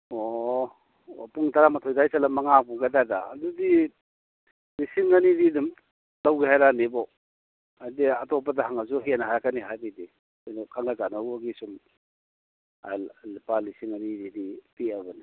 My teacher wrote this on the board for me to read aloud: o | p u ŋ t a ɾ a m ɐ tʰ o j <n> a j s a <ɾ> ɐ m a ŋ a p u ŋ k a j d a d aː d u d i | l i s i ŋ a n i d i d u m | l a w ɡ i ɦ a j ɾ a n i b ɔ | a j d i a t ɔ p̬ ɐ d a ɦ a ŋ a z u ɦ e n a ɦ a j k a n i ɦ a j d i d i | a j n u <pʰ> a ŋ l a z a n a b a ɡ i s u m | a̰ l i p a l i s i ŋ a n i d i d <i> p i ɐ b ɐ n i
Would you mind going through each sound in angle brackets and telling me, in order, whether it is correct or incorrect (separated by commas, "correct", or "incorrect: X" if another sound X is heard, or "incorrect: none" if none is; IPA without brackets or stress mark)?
incorrect: d, incorrect: l, incorrect: kʰ, correct